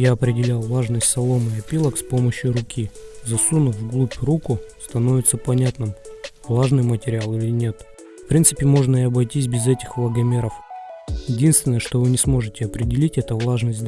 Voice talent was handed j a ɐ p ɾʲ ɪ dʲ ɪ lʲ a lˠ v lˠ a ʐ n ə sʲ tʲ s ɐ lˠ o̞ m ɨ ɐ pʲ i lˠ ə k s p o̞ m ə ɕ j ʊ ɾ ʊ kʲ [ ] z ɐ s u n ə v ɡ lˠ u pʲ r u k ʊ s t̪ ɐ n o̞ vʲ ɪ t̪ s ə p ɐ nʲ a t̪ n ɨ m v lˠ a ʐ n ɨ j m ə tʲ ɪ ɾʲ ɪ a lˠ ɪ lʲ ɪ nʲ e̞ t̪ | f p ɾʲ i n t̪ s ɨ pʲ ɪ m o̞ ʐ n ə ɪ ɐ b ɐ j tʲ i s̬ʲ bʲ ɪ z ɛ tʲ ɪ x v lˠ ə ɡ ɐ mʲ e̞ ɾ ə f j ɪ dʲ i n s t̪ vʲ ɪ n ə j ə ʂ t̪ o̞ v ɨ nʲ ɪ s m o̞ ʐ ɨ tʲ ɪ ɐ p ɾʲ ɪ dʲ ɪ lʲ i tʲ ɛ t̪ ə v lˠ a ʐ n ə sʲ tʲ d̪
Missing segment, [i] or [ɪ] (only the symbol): i